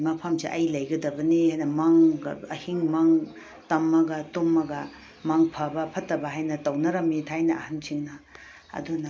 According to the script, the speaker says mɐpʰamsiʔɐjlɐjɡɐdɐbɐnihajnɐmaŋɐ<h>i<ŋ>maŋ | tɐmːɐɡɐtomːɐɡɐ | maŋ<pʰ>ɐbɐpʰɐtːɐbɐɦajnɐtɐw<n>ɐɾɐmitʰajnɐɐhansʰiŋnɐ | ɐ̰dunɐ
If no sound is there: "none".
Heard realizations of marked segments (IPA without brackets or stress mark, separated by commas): h, ŋ, pʰ, n